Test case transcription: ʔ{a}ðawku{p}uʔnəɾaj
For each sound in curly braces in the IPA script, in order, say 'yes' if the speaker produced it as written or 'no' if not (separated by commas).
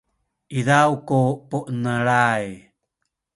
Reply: no, yes